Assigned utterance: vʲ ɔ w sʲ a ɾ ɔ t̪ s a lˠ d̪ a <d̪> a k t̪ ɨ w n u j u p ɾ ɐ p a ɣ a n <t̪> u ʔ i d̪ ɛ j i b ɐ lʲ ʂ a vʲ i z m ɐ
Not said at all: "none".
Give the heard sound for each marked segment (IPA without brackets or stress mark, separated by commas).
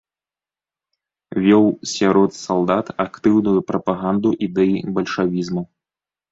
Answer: t̪, d̪